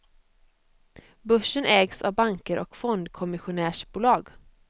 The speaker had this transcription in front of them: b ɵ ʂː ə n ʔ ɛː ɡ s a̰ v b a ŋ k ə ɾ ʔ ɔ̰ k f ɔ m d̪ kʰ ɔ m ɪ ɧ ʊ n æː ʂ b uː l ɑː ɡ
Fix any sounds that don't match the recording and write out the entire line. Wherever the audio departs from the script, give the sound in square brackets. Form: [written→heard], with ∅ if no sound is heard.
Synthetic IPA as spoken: b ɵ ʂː ə n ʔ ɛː ɡ s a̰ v b a ŋ k ə ɾ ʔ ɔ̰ k f ɔ [m→n] d̪ kʰ ɔ m ɪ ɧ ʊ n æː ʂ b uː l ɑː ɡ